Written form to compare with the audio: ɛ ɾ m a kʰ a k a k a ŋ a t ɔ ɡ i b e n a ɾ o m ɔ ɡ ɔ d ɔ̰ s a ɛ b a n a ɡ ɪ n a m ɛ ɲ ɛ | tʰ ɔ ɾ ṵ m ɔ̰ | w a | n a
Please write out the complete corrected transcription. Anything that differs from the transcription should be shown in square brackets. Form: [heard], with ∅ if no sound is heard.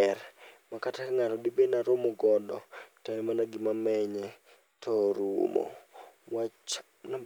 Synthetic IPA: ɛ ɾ m a [k] a [t] a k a ŋ a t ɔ [d] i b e n a ɾ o m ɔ ɡ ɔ d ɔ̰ [t] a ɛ [m] a n a ɡ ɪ [m] a m ɛ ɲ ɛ | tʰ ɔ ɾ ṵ m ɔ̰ | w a | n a